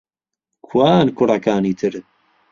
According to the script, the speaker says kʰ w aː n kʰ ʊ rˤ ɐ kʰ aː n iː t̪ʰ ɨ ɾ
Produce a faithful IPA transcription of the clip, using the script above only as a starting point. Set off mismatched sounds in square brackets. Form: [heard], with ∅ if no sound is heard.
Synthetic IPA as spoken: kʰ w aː n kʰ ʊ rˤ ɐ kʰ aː n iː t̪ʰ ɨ ɾ